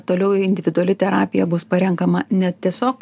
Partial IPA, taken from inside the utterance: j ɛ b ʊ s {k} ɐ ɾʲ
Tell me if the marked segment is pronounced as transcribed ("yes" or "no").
no